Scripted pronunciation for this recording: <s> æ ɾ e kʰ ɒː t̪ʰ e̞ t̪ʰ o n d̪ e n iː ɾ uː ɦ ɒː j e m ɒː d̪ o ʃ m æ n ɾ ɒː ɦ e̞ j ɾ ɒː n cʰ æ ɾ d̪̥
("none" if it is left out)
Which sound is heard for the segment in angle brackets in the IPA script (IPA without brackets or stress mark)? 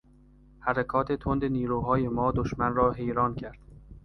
h